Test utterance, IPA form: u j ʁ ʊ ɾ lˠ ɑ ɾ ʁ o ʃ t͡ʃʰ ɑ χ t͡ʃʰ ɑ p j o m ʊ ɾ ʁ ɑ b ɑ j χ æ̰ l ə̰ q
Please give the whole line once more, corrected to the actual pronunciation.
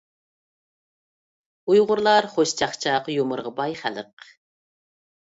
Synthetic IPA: u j ʁ ʊ ɾ lˠ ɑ ɾ χ o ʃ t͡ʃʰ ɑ χ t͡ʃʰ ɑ q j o m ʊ ɾ ʁ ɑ b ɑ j χ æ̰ l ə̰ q